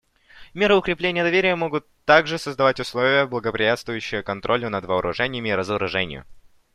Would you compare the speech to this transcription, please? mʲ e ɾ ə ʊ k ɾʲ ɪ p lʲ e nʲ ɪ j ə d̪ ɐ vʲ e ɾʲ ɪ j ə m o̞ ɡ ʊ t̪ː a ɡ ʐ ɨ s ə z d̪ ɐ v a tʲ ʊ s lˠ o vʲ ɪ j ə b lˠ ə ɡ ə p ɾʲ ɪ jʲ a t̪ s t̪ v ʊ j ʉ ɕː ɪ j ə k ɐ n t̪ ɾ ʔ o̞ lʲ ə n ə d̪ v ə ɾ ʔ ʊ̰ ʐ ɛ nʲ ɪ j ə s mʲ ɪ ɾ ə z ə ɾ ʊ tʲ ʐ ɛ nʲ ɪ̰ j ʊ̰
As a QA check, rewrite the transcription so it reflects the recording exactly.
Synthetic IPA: mʲ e ɾ ə ʊ k ɾʲ ɪ p lʲ e nʲ ɪ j ə d̪ ɐ vʲ e ɾʲ ɪ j ə m o̞ ɡ ʊ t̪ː a ɡ ʐ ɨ s ə z d̪ ɐ v a tʲ ʊ s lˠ o vʲ ɪ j ə b lˠ ə ɡ ə p ɾʲ ɪ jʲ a t̪ s t̪ v ʊ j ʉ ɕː ɪ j ə k ɐ n t̪ ɾ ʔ o̞ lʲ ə n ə d̪ v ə ɾ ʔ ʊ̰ ʐ ɛ nʲ ɪ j ə mʲ ɪ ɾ ə z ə ɾ ʊ ʐ ɛ nʲ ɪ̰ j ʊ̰